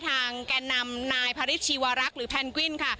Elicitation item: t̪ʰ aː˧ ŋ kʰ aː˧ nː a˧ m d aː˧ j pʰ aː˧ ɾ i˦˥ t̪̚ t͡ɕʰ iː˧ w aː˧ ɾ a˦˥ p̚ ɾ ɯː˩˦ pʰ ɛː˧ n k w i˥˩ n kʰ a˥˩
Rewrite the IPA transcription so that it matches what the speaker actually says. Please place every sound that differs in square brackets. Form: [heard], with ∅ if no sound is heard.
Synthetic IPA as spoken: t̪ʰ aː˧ ŋ [k] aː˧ nː a˧ m [n] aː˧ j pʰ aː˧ ɾ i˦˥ t̪̚ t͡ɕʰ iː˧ w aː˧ ɾ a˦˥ [k̚] ɾ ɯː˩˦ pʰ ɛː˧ n k w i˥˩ n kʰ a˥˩